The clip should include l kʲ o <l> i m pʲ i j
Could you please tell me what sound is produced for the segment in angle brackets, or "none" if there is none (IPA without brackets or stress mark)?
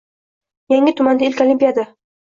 l